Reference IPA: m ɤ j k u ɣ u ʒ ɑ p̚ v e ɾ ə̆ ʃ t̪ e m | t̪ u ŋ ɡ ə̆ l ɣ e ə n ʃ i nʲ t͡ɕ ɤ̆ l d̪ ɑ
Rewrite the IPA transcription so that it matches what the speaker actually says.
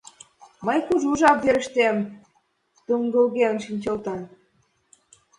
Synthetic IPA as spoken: m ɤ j k u ʒ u ʒ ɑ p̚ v e ɾ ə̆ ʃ t̪ e m | t̪ u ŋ ɡ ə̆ l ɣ e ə n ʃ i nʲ t͡ɕ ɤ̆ l t̪ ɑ